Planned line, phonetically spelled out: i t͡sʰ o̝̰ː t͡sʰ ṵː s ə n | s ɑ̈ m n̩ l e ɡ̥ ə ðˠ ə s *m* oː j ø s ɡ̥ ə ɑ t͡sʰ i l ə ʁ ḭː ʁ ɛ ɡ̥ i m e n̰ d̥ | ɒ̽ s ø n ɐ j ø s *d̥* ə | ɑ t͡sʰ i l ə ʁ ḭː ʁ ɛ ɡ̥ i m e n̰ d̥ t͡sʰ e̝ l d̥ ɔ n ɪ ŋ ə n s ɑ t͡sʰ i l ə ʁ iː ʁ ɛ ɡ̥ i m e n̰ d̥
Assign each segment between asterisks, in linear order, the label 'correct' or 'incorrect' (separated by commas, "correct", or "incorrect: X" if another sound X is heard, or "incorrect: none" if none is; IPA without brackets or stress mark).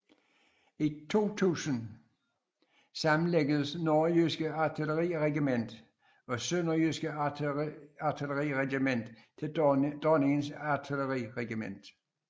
incorrect: n, incorrect: ɡ̥